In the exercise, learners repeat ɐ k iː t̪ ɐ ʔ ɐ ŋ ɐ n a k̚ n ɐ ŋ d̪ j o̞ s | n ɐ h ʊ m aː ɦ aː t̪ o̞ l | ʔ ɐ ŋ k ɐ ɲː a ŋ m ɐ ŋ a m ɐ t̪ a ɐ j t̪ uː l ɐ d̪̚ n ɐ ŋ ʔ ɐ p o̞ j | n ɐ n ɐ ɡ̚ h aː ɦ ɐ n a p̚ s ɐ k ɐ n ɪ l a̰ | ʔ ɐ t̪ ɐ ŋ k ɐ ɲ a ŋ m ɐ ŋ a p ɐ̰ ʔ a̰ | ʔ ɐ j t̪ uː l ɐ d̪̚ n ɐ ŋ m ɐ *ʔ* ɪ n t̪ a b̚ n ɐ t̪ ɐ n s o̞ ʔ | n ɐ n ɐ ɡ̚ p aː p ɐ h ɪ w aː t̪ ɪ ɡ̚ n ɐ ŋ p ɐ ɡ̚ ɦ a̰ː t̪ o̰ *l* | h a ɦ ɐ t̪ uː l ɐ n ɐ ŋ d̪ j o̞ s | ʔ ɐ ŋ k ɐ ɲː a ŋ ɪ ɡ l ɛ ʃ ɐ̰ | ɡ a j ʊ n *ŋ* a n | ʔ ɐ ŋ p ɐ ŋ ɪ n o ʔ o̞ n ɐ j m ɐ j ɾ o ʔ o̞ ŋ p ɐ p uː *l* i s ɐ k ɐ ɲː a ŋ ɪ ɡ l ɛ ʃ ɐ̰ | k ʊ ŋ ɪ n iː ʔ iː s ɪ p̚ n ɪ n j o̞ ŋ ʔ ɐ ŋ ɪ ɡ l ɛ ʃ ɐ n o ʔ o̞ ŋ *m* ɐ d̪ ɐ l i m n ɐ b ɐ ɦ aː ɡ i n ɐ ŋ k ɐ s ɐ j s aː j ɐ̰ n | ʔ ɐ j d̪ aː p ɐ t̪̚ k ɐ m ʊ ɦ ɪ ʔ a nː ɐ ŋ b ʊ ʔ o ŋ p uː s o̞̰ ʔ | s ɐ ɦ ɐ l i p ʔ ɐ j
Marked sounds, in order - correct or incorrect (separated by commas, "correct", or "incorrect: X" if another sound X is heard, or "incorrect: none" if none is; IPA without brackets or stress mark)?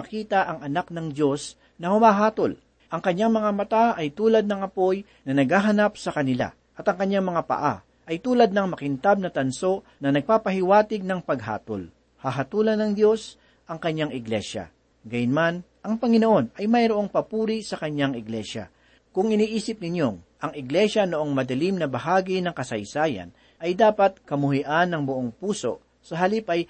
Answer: incorrect: k, correct, incorrect: m, incorrect: ɾ, correct